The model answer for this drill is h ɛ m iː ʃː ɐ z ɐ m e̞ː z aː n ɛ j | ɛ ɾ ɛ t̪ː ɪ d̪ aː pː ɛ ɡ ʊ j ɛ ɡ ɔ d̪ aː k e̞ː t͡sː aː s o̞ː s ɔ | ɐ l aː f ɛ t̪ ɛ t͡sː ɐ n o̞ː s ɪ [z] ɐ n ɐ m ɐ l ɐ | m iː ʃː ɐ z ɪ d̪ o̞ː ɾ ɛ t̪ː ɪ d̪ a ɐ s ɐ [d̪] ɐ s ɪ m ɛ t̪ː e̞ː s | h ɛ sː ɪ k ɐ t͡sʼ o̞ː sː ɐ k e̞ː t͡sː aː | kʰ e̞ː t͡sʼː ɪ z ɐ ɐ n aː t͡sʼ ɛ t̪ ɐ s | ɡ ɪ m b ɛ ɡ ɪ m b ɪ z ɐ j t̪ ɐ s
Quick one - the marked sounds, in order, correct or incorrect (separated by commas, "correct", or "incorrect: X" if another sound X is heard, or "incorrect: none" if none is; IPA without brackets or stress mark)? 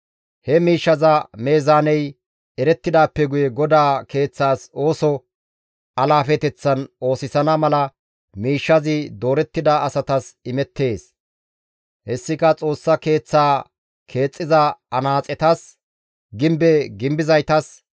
incorrect: s, incorrect: t̪